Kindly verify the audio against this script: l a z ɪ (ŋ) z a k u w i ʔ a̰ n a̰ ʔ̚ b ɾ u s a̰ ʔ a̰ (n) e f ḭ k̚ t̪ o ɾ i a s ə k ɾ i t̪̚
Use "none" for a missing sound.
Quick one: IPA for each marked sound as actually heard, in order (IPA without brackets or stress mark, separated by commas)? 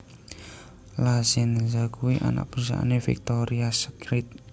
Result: n, n